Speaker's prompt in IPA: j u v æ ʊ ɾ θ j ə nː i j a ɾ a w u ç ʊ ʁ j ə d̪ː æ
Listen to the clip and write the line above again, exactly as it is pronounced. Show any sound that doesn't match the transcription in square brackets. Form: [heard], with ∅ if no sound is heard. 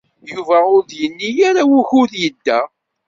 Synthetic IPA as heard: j u v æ ʊ ɾ [ð] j ə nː i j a ɾ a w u ç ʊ [ð] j ə d̪ː æ